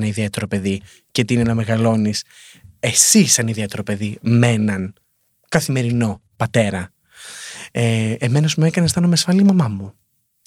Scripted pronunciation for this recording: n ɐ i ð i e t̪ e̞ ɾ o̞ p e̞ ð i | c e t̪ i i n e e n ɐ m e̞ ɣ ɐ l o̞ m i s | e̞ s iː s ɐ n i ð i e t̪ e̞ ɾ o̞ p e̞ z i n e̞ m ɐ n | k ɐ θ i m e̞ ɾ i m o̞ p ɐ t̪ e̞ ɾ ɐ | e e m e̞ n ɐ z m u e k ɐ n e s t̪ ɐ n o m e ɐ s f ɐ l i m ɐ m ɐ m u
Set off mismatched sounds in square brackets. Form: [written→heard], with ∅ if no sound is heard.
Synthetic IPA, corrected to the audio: n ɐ i ð i e t̪ e̞ ɾ o̞ p e̞ ð i | c e t̪ i i n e e n ɐ m e̞ ɣ ɐ l o̞ [m→n] i s | e̞ s [iː→i] s ɐ n i ð i e t̪ e̞ ɾ o̞ p e̞ [z→ð] i [n→m] e̞ [m→n] ɐ n | k ɐ θ i m e̞ ɾ i [m→n] o̞ p ɐ t̪ e̞ ɾ ɐ | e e m e̞ n ɐ z m u e k ɐ n e s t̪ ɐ n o m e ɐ s f ɐ l i m ɐ m ɐ m u